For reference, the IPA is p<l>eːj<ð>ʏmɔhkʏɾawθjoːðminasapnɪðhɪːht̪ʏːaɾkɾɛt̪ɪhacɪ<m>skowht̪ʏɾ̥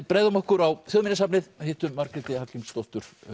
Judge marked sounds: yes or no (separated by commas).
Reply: no, yes, yes